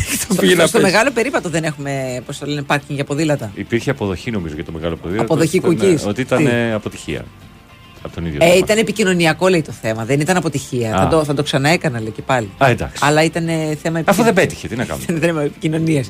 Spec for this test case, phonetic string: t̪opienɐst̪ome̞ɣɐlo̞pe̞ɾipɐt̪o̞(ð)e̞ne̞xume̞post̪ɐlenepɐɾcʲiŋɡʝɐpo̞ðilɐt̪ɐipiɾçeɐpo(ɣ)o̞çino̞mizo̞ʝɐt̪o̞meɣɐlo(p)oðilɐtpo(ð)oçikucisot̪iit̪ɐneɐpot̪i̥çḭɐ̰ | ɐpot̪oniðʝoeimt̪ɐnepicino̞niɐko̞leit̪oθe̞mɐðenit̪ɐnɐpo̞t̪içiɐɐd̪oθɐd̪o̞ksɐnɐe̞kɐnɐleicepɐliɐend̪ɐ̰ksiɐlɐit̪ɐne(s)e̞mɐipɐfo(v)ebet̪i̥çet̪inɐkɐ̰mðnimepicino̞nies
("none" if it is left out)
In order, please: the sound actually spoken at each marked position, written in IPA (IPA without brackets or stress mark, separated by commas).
ð, ð, p, ð, θ, ð